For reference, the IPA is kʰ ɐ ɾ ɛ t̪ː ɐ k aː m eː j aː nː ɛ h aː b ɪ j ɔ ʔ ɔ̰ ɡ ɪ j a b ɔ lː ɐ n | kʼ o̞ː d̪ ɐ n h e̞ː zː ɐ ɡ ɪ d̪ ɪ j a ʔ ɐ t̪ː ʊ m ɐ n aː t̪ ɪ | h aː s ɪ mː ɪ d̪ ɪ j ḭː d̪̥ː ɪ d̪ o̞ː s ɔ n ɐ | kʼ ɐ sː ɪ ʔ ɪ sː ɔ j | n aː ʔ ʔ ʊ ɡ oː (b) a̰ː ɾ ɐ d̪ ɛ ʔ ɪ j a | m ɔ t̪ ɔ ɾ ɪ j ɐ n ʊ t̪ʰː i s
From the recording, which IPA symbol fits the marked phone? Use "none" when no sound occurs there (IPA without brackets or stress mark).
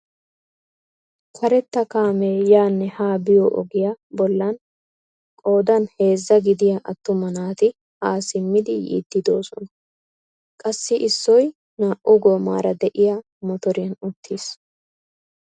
m